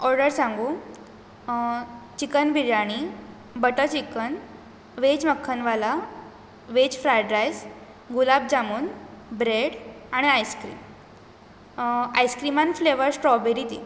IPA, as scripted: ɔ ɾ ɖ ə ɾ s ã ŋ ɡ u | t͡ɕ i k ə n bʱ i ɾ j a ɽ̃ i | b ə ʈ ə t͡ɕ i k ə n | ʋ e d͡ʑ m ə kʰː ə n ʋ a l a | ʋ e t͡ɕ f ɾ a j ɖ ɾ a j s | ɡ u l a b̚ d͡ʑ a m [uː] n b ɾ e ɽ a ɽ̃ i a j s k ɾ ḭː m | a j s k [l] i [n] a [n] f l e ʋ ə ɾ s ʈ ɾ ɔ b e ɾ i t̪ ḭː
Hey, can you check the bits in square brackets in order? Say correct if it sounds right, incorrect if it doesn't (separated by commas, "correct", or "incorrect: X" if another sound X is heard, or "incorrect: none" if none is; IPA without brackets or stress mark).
correct, incorrect: ɾ, incorrect: m, correct